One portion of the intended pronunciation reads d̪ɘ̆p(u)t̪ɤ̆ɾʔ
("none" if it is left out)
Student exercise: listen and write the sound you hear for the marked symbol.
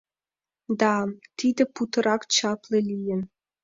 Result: u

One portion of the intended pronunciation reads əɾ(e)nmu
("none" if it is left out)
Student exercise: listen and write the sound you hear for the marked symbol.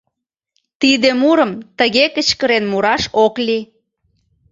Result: e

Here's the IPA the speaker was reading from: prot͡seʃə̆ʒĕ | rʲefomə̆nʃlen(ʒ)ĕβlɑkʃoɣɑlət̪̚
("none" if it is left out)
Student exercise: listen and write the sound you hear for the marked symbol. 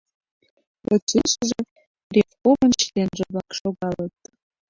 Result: ʒ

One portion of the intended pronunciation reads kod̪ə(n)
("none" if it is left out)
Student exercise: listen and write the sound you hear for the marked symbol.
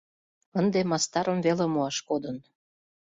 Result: n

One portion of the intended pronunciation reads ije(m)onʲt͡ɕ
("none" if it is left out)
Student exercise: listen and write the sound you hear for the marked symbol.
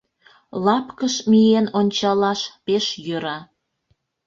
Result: n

